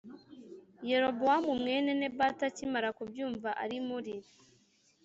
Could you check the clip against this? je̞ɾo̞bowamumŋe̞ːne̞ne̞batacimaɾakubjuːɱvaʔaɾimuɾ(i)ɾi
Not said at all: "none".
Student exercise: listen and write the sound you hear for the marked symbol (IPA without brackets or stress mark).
i